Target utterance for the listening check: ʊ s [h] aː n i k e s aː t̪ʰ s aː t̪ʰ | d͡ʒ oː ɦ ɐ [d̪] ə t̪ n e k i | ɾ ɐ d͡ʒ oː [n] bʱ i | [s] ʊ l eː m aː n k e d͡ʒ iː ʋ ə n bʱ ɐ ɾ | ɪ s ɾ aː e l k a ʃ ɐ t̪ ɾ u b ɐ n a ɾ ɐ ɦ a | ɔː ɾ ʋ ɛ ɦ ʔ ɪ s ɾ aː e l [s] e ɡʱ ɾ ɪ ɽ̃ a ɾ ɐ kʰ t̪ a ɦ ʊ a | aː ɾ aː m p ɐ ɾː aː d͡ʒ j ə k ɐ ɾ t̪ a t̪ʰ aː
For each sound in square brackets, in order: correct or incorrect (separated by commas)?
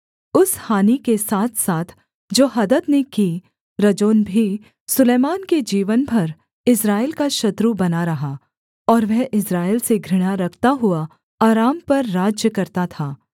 correct, correct, correct, correct, correct